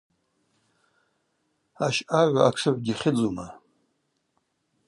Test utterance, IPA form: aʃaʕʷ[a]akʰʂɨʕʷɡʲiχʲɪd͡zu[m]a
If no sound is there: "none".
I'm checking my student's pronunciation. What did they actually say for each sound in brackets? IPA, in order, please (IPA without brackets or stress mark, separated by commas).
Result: a, m